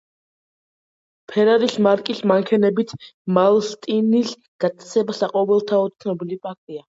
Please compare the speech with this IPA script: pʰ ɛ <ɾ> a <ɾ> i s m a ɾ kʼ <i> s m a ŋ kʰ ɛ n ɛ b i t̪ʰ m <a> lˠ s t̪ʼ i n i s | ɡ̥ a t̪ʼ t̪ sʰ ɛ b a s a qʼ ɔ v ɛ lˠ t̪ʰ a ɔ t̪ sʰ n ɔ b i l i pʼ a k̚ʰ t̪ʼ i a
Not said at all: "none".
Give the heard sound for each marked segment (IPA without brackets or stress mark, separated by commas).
ɾ, ɾ, i, a